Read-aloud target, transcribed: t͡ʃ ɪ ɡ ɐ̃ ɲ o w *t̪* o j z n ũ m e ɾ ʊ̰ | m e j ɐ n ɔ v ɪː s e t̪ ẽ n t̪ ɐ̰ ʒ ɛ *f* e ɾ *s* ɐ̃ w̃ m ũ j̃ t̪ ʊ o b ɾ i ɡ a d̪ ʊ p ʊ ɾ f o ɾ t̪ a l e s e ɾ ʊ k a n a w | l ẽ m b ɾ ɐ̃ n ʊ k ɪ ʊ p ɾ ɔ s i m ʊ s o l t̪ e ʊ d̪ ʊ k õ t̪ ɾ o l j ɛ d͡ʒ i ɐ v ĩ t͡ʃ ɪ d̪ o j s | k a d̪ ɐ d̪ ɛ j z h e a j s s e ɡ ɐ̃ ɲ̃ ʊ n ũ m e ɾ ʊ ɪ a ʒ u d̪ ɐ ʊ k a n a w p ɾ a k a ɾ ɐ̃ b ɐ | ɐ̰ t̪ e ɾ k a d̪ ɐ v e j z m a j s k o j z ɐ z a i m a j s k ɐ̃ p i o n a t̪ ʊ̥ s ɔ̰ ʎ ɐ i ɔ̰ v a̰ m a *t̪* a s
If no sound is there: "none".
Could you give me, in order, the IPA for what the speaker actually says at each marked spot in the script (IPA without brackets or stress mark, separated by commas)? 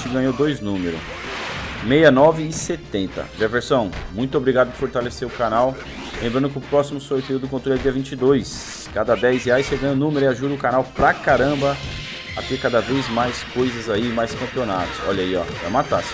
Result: d̪, v, s, t̪